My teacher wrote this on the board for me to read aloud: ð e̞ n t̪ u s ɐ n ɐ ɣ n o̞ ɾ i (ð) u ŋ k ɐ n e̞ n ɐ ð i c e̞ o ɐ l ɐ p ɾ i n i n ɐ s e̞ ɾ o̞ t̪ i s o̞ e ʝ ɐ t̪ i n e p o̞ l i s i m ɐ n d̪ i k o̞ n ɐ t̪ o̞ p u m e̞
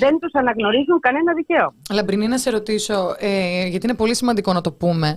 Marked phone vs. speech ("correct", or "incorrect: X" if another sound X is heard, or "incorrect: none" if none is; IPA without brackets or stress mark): incorrect: z